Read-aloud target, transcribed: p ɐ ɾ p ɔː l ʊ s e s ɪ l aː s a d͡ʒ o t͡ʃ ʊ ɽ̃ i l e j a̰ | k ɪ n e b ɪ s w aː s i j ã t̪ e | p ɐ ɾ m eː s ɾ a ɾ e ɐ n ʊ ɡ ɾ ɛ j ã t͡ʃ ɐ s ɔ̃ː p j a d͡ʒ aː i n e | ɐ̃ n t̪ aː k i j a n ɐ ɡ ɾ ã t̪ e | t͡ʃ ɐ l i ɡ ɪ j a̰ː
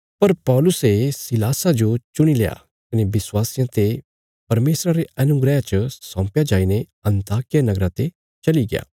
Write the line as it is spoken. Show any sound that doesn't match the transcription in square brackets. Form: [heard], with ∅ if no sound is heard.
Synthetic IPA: p ɐ ɾ p ɔː l ʊ s e s ɪ l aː s a d͡ʒ o t͡ʃ ʊ ɽ̃ i l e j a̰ | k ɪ n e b ɪ s w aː s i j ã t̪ e | p ɐ ɾ m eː s ɾ a ɾ e ɐ n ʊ ɡ ɾ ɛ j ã t͡ʃ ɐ s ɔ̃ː p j a d͡ʒ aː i n e | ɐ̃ n t̪ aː k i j a n ɐ ɡ ɾ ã t̪ e | t͡ʃ ɐ l i ɡ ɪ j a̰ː